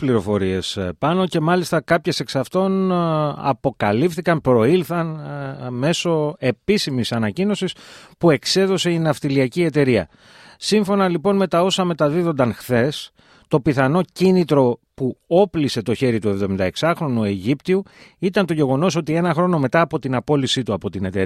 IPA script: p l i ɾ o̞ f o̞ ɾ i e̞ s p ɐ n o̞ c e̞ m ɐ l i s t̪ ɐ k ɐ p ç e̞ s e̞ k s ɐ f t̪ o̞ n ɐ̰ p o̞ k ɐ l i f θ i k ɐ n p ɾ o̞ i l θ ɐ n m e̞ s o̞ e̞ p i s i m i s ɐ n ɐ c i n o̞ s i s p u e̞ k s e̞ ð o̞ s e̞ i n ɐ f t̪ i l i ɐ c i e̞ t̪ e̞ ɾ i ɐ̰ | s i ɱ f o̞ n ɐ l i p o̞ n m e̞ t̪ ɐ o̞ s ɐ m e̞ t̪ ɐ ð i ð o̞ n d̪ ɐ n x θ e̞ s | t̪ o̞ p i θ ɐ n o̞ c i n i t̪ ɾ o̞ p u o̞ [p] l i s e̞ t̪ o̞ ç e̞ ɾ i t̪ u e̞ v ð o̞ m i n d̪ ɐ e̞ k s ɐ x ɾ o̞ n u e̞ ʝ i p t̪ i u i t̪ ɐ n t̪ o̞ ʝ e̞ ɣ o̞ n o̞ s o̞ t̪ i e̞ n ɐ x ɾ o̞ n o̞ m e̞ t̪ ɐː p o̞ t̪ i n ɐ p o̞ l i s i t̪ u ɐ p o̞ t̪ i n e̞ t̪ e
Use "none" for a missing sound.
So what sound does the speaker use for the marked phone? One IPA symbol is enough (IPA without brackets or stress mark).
p